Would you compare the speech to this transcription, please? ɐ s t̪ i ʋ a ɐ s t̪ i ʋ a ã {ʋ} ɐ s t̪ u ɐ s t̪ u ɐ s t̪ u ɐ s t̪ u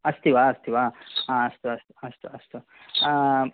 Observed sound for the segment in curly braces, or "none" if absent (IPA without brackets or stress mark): none